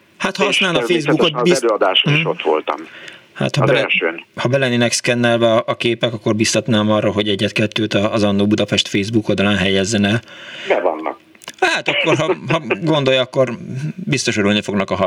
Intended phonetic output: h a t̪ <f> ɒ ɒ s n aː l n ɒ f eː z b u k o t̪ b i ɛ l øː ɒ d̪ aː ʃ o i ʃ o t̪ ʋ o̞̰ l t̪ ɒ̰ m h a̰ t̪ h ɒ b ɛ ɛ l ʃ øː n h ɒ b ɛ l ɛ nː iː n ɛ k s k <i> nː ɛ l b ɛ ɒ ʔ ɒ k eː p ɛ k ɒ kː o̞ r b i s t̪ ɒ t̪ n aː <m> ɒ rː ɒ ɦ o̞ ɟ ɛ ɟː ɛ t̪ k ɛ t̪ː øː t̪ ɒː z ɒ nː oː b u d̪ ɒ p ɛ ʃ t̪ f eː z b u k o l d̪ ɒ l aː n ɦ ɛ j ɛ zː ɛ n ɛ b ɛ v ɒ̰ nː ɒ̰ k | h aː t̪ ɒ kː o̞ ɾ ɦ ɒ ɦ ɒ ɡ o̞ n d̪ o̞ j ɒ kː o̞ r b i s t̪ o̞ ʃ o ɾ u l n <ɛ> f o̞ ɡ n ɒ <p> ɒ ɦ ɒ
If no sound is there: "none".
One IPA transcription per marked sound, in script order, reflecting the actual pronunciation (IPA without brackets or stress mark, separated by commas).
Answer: h, ɛ, m, i, k